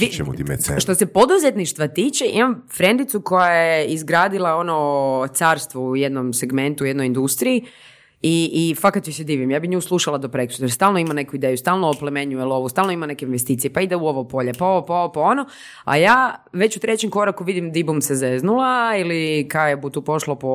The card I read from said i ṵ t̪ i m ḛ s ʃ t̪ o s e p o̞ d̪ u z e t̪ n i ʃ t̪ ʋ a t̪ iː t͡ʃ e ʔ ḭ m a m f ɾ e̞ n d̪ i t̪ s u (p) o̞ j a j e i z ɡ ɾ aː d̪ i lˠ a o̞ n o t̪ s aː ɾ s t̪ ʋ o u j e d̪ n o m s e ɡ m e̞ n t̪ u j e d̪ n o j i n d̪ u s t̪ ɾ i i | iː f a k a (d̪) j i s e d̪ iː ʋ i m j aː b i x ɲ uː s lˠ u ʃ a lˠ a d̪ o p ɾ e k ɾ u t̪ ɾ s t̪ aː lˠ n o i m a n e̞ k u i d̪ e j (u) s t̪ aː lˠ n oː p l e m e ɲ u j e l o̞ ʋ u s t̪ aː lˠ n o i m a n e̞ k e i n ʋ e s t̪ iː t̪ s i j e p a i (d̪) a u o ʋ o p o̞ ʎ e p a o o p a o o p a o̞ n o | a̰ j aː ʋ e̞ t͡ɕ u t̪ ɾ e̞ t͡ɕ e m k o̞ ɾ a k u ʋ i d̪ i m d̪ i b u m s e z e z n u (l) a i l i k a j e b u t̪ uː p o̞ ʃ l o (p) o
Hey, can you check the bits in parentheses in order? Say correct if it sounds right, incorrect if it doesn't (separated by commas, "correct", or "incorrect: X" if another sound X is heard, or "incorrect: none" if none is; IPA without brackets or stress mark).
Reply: incorrect: k, incorrect: t̪, correct, correct, correct, correct